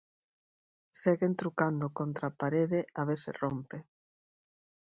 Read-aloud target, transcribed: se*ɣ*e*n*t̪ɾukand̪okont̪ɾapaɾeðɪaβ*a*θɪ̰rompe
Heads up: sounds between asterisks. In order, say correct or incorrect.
correct, correct, incorrect

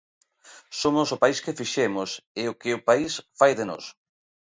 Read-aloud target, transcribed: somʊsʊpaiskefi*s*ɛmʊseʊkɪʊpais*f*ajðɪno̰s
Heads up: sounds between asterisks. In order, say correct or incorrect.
incorrect, correct

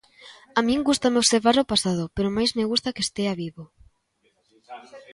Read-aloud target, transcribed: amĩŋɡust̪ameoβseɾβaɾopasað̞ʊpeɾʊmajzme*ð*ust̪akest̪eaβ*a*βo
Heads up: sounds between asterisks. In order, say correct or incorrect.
incorrect, incorrect

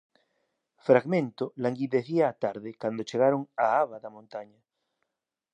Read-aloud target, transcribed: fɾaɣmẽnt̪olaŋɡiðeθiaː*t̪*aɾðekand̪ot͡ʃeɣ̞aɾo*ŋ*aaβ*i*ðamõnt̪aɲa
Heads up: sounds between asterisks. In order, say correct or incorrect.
correct, correct, incorrect

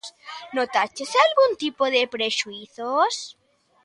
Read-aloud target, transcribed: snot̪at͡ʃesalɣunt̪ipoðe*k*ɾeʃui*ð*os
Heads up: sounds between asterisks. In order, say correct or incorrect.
incorrect, incorrect

